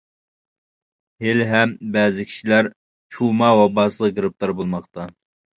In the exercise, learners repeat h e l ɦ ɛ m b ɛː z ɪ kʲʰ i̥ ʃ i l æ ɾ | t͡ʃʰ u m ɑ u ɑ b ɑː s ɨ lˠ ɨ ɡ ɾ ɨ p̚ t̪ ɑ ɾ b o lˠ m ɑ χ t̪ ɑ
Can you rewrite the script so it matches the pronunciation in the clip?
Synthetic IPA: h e l ɦ ɛ m b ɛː z ɪ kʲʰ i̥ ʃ i l æ ɾ | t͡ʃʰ u m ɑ w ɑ b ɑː s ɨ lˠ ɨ ɡ ɾ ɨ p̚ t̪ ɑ ɾ b o lˠ m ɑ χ t̪ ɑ